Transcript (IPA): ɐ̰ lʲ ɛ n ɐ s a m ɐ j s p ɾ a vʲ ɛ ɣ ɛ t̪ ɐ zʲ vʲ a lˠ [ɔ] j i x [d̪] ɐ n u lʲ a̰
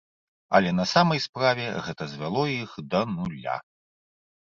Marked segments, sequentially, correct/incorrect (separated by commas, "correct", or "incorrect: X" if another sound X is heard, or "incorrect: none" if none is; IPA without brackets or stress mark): correct, correct